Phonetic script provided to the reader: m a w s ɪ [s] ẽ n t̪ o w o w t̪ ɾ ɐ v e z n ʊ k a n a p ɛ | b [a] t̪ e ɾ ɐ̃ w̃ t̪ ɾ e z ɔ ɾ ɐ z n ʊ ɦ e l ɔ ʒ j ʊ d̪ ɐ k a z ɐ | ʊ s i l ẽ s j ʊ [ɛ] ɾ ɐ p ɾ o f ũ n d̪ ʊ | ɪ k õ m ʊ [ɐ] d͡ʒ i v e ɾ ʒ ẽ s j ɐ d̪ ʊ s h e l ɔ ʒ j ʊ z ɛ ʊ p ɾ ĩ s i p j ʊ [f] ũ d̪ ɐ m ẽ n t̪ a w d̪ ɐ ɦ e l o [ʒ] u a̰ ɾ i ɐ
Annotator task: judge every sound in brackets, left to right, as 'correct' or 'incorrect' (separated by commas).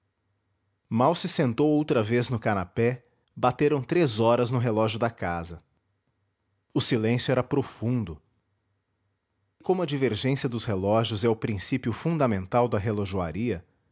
correct, correct, correct, correct, correct, correct